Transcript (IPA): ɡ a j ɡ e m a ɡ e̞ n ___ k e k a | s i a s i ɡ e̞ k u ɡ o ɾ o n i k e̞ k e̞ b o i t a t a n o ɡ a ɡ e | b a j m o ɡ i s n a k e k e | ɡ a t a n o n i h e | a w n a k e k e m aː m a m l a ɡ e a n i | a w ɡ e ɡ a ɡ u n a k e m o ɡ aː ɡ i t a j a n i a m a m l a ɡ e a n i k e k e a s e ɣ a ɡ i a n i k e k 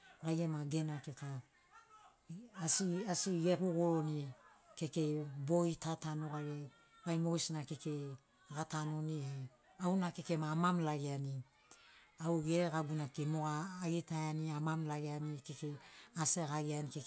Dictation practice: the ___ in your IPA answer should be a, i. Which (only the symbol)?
a